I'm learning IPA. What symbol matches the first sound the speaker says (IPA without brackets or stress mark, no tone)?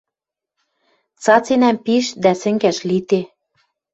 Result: t͡s